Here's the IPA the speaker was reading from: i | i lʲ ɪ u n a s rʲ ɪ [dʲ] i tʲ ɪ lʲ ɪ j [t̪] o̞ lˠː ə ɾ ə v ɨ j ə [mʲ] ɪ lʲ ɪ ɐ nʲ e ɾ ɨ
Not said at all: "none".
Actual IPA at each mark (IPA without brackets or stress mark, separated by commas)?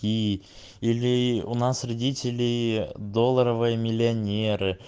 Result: dʲ, d̪, mʲ